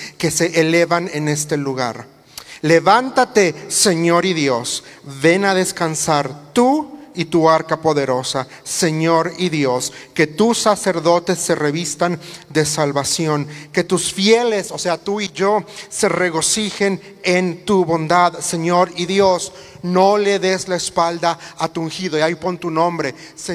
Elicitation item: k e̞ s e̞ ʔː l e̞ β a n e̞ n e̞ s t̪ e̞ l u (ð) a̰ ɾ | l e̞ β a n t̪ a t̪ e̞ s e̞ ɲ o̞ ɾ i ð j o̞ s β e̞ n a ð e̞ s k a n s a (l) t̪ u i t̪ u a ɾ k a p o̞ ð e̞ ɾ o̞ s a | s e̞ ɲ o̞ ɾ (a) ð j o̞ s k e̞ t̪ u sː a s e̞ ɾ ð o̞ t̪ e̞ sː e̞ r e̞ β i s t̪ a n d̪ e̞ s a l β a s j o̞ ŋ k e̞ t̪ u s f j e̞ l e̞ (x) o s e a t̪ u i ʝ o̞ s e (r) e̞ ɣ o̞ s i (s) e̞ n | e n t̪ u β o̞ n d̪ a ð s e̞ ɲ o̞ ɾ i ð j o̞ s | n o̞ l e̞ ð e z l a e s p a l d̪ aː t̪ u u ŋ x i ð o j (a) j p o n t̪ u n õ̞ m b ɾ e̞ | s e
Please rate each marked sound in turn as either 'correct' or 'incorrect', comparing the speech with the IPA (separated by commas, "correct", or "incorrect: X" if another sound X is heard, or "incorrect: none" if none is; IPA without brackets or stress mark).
incorrect: ɣ, incorrect: ɾ, incorrect: i, incorrect: s, correct, incorrect: x, correct